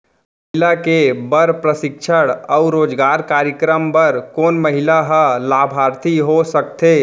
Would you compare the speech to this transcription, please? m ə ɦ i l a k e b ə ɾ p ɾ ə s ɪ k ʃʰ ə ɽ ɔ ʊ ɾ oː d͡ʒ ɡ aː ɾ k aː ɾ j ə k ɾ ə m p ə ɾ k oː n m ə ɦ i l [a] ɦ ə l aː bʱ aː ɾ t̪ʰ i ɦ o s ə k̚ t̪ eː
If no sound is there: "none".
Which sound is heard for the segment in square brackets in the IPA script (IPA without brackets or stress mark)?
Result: a